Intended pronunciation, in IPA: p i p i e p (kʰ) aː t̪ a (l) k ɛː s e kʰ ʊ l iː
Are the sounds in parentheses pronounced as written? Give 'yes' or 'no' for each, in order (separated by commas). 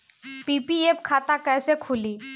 yes, no